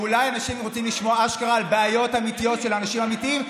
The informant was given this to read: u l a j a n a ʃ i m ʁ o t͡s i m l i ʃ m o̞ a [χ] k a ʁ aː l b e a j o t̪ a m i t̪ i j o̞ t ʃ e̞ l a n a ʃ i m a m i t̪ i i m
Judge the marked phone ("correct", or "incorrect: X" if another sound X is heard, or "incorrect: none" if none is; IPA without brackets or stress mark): incorrect: ʃ